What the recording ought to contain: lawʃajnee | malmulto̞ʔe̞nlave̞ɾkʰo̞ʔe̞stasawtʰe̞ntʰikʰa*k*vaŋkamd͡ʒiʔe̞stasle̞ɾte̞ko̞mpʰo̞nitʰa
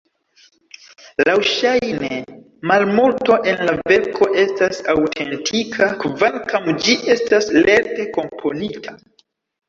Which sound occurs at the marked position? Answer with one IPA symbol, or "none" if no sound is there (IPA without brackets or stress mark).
k